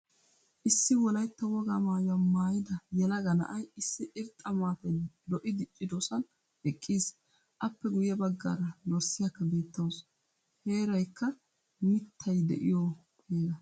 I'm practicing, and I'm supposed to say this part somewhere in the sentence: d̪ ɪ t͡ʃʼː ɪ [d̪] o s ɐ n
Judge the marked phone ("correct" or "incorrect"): correct